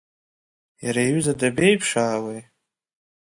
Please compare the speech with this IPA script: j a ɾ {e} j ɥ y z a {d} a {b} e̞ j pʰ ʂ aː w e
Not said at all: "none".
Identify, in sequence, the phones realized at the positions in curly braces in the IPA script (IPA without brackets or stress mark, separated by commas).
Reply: a, d, b